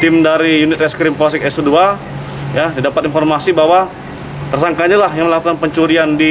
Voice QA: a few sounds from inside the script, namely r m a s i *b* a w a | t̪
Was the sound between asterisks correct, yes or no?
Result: yes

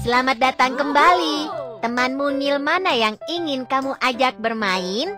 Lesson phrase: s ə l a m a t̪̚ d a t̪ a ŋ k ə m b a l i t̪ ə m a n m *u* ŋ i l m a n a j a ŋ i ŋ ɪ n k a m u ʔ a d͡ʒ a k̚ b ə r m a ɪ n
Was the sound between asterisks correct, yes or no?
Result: yes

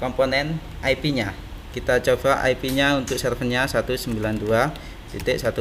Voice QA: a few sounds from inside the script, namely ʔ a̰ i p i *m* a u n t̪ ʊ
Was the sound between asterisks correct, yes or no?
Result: no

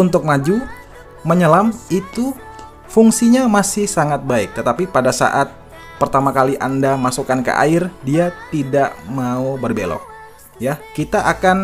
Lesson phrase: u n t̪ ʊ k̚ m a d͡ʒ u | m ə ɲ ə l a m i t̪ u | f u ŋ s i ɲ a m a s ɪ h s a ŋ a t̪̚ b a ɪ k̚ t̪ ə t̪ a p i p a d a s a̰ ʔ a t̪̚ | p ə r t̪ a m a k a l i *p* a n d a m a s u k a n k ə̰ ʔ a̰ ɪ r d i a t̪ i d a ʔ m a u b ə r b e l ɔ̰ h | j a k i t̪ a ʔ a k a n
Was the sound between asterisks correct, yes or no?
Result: no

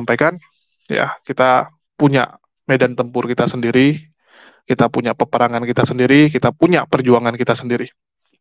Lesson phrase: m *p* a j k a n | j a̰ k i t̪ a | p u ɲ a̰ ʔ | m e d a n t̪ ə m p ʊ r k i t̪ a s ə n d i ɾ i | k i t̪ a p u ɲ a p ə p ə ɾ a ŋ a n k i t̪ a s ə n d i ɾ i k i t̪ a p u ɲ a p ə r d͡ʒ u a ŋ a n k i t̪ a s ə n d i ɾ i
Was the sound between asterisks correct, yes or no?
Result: yes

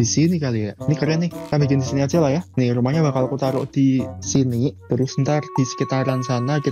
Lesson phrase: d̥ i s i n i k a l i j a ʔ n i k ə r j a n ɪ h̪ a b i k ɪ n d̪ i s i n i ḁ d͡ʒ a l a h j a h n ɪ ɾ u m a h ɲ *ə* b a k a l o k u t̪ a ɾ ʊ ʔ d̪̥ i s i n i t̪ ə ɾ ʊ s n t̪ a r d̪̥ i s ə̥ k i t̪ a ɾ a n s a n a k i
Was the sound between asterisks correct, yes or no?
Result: no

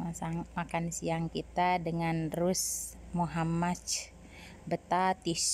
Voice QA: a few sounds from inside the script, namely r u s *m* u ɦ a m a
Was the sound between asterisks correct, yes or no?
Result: yes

